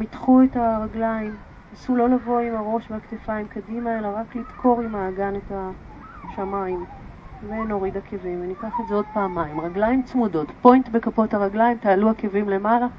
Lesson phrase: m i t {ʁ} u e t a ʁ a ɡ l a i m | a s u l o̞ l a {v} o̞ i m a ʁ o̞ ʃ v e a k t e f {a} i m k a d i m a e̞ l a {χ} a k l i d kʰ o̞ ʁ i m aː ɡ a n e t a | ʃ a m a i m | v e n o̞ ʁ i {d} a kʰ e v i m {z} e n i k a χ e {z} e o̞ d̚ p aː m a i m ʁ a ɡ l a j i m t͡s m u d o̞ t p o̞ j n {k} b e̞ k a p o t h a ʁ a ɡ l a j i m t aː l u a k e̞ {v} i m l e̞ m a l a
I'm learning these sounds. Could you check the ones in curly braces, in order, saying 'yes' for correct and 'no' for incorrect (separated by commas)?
no, yes, yes, no, yes, no, yes, no, yes